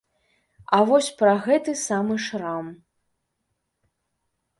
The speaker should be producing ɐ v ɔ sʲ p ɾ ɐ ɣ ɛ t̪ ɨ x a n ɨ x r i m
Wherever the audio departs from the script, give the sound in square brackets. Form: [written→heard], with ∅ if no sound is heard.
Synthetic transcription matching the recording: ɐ v ɔ sʲ p ɾ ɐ ɣ ɛ t̪ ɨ [x→s] a [n→m] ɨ [x→ʂ] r [i→a] m